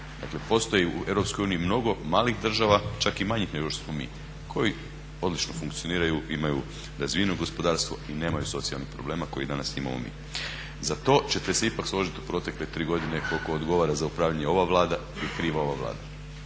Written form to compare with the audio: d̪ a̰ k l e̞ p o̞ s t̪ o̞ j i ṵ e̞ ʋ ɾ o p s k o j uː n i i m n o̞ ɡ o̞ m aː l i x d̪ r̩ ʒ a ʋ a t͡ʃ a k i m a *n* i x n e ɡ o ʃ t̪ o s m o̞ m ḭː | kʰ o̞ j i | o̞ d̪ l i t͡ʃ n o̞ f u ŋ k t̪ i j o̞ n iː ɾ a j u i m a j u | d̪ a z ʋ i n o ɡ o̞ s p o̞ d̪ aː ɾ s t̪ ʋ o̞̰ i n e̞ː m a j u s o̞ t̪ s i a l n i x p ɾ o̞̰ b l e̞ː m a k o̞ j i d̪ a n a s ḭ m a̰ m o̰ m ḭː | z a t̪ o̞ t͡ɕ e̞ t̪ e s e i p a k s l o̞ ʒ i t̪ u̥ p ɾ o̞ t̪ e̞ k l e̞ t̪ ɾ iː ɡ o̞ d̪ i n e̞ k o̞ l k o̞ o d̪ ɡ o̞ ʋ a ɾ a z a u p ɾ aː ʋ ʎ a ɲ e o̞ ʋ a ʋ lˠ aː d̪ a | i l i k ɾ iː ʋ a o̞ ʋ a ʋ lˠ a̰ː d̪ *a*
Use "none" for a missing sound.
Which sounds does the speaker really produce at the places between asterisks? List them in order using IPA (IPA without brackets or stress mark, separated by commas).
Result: ɲ, a